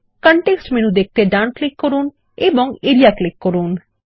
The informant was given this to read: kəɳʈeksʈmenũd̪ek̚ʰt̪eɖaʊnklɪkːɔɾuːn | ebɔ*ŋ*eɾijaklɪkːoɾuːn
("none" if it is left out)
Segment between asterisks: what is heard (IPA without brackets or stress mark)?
ŋ